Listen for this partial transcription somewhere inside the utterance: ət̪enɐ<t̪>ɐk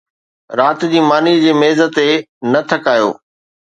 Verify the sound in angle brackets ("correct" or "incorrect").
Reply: incorrect